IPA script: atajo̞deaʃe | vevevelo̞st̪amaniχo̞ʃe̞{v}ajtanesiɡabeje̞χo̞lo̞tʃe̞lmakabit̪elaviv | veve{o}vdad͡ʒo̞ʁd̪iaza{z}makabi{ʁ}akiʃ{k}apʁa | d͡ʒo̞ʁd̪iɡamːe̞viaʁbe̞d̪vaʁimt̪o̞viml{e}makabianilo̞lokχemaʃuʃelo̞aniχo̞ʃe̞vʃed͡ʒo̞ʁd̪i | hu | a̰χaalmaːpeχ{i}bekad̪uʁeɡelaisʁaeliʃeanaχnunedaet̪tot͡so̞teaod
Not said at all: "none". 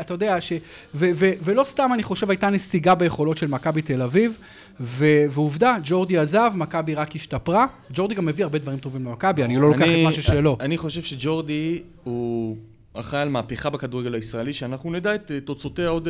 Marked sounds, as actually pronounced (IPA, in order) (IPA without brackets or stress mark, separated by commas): v, u, v, ʁ, t, e, a